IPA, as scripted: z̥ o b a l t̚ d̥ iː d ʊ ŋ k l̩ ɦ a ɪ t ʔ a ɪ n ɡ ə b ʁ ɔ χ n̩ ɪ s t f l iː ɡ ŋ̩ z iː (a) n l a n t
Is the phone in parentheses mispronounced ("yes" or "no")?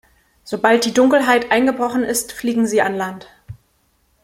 no